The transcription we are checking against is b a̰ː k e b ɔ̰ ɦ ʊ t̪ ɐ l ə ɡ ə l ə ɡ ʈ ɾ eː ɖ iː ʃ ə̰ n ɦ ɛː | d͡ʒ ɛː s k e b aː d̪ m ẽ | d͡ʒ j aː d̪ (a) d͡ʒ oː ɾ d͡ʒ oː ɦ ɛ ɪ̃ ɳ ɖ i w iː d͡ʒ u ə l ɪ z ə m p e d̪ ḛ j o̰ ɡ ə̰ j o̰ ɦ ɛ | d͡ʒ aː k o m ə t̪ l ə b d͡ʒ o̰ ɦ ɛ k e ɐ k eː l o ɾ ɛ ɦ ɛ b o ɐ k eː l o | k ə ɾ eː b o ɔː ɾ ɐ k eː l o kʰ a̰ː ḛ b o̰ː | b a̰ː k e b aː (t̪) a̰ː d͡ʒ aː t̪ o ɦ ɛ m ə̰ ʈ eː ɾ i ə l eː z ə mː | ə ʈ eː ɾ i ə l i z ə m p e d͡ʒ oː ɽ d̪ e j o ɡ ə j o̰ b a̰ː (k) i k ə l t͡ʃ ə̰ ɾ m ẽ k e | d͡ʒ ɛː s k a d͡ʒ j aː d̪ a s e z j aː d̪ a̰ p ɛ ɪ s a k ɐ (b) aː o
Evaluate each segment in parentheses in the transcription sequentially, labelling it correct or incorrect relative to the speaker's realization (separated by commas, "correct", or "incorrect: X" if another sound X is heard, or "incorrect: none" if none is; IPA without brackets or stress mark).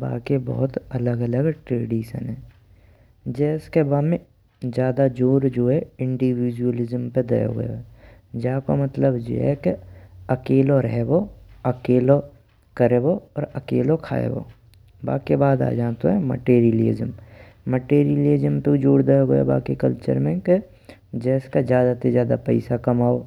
correct, incorrect: d̪, correct, incorrect: m